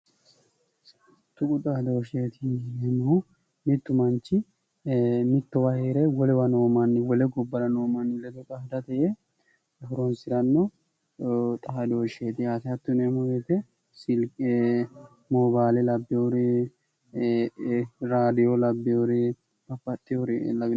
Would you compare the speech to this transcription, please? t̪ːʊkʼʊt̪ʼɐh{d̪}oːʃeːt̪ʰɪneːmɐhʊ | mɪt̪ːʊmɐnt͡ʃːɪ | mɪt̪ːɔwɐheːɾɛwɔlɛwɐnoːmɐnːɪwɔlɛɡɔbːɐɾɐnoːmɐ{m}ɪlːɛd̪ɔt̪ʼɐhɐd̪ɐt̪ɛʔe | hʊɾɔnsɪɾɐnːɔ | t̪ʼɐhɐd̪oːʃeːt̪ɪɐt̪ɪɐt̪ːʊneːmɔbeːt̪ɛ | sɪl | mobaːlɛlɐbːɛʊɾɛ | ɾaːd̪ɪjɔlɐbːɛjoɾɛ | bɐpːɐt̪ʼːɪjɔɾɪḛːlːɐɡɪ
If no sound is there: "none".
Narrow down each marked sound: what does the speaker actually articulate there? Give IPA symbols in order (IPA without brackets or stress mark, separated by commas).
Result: d̪, n